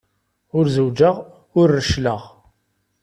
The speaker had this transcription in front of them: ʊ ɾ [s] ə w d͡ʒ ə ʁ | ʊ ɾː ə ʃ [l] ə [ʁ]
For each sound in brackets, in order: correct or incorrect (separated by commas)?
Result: incorrect, correct, correct